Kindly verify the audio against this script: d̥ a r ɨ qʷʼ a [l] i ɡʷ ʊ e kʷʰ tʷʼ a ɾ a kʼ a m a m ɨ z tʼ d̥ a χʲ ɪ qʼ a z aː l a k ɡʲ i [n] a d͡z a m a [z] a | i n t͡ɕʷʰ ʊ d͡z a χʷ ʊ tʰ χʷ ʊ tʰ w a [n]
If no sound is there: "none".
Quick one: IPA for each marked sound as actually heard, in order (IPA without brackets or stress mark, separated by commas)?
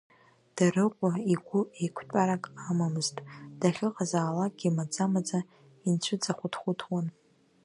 none, m, d͡z, n